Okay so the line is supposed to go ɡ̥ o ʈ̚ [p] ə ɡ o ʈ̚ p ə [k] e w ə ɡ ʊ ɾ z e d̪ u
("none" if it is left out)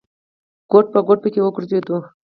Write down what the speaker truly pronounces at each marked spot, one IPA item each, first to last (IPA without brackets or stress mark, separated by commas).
p, k